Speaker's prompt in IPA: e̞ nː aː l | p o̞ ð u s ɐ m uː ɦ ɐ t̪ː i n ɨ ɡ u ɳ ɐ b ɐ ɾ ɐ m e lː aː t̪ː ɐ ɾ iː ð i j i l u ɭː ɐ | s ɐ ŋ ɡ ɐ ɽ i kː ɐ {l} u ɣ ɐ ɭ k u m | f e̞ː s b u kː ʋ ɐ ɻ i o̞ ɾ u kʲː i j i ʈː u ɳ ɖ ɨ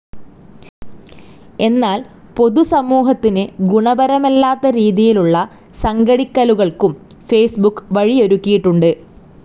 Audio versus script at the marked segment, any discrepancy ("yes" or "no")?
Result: no